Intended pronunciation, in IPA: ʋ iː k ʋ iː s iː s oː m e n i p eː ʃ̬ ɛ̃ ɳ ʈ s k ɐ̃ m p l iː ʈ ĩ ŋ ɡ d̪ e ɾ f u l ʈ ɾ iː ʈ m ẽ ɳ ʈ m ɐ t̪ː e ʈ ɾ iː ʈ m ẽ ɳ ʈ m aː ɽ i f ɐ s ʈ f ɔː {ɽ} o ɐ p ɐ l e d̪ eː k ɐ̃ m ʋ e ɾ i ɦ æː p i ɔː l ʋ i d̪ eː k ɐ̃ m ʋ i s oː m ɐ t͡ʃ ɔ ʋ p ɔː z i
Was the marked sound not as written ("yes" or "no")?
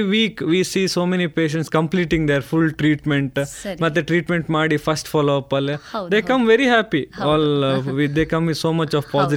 yes